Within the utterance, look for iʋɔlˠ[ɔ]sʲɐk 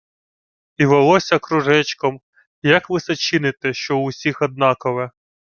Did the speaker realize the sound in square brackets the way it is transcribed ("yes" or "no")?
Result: yes